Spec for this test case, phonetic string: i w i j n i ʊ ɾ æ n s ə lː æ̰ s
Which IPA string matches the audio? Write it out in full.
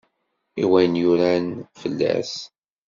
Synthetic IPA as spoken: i w æ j n j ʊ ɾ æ n f ə lː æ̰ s